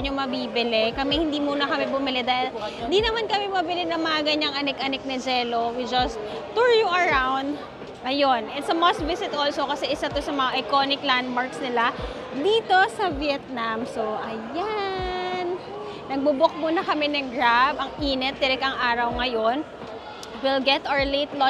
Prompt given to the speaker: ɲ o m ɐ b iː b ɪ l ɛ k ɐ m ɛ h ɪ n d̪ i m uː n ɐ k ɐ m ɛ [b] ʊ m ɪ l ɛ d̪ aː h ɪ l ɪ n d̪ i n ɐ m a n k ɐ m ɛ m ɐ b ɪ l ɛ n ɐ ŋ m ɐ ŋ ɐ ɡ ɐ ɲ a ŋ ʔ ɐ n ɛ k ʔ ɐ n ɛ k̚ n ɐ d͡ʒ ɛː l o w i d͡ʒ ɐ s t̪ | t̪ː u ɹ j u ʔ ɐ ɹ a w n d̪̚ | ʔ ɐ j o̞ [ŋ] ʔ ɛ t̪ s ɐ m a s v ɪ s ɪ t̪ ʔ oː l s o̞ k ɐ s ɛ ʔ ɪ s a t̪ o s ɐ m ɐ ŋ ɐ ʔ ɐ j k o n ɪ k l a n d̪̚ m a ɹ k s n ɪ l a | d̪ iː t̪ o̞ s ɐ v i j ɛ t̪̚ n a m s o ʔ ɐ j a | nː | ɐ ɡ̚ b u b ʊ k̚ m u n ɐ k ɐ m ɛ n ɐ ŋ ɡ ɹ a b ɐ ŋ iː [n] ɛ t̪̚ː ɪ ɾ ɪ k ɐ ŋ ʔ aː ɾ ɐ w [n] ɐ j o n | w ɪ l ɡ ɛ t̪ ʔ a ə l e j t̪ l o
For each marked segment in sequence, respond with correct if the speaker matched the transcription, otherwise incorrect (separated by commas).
correct, incorrect, correct, incorrect